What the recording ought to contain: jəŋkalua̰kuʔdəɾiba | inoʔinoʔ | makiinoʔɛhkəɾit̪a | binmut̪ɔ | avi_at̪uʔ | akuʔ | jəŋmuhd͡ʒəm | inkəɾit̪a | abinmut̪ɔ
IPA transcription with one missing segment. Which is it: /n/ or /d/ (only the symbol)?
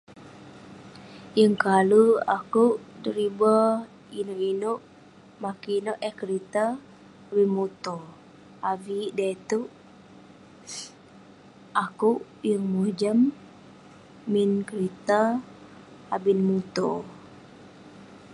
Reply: d